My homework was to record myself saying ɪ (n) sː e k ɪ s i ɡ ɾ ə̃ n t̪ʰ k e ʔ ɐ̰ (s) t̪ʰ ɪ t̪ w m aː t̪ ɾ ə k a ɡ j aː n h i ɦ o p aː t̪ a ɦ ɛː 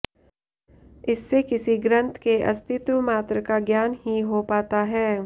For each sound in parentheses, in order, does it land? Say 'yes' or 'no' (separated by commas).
no, yes